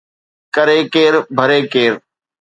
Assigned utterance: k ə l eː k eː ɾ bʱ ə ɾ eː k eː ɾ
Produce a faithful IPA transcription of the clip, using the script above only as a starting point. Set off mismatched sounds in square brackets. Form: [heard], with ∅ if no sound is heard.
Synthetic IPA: k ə [ɾ] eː k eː ɾ bʱ ə ɾ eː k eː ɾ

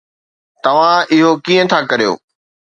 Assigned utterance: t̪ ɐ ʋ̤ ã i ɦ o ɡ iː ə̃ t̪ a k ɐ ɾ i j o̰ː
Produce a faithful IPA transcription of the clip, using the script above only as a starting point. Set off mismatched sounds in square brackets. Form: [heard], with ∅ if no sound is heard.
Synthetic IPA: t̪ ɐ ʋ̤ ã [ɪ] ɦ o [k] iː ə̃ [t̪ʰ] a k ɐ ɾ i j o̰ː

